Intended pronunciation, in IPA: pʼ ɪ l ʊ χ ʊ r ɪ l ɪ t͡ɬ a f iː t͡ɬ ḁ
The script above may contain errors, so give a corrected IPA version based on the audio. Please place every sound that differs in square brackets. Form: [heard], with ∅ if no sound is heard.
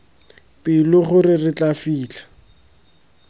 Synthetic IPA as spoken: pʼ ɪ l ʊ χ ʊ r ɪ [r] ɪ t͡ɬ a f iː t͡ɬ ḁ